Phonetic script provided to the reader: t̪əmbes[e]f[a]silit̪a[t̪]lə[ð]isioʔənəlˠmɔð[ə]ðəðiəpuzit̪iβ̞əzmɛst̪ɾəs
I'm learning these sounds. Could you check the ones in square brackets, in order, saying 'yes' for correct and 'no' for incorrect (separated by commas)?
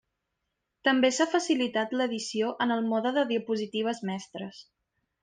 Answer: no, no, yes, yes, yes